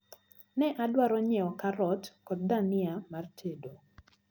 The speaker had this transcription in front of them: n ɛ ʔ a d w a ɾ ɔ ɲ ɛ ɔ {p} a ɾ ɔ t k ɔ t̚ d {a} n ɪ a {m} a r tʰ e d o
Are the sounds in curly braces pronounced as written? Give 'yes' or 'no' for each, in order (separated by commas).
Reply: no, yes, yes